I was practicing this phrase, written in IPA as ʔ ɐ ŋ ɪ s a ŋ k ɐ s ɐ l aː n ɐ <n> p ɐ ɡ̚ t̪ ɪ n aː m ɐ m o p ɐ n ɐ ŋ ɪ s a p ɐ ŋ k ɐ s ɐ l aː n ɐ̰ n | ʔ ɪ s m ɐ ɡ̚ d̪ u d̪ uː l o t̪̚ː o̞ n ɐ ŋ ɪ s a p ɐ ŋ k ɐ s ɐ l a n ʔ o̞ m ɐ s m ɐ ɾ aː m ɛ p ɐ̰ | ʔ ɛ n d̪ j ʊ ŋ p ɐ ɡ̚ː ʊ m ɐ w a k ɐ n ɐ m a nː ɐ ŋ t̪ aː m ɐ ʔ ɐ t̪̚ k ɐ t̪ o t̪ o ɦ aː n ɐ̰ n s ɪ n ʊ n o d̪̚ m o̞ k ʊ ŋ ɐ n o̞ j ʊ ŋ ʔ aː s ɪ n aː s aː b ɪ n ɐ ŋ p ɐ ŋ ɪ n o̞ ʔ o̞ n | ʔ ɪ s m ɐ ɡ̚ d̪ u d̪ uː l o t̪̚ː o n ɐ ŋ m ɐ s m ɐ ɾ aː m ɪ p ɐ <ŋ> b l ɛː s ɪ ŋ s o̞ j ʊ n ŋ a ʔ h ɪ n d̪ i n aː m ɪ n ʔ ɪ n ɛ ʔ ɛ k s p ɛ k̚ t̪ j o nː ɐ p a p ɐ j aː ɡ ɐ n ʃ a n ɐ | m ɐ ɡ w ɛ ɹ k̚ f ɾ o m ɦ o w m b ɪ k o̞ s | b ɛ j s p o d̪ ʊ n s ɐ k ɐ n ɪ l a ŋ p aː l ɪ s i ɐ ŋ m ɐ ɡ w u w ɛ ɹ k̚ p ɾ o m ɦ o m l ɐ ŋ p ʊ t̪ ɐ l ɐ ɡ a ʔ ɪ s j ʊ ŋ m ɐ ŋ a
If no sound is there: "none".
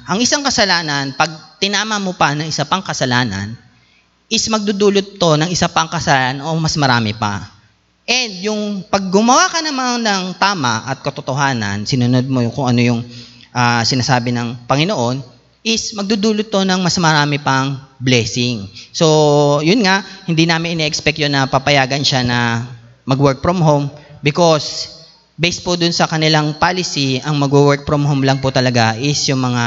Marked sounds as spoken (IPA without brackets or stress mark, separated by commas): n, ŋ